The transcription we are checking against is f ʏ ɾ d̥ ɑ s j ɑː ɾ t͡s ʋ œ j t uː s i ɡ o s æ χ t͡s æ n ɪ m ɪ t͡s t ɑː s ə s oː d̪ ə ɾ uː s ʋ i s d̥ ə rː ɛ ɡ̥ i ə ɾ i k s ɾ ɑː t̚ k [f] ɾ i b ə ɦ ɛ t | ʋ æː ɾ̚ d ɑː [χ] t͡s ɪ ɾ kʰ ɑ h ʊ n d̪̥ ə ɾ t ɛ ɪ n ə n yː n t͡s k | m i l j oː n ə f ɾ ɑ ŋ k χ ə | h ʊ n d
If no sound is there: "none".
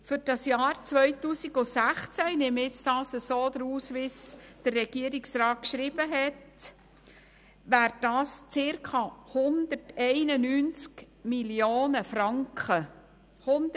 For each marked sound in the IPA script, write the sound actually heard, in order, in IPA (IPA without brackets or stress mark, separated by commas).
ʃ, s